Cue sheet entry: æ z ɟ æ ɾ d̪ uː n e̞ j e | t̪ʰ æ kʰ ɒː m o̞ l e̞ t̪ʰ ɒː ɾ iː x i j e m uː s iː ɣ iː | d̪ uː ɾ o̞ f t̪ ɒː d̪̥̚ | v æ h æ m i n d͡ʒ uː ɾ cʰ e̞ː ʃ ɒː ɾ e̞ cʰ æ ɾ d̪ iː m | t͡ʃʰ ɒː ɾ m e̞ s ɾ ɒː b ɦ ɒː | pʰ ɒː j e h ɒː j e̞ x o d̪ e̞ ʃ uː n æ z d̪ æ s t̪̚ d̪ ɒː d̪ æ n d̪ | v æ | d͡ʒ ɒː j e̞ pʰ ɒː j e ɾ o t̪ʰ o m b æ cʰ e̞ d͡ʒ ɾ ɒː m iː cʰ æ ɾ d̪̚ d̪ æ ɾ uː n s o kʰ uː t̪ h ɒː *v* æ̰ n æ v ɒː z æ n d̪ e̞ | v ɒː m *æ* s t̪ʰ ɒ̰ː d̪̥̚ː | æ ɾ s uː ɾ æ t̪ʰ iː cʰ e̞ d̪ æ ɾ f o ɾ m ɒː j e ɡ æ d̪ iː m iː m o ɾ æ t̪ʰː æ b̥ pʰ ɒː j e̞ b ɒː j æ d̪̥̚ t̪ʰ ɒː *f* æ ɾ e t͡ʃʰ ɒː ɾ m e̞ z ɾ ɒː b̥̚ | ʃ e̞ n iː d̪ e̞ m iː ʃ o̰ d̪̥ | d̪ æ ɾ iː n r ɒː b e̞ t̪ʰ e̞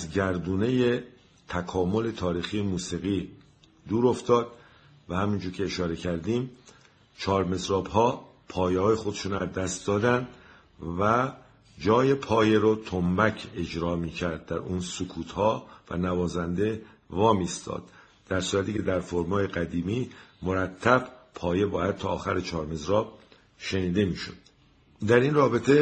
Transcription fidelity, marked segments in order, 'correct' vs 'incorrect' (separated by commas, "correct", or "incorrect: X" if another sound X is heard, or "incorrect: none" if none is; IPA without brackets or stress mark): correct, incorrect: i, incorrect: x